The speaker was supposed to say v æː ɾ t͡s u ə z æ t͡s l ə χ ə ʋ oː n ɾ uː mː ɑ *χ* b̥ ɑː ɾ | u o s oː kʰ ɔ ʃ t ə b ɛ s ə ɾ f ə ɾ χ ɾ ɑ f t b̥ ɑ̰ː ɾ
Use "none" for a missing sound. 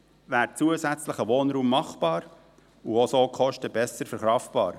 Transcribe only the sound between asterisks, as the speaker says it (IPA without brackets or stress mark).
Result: χ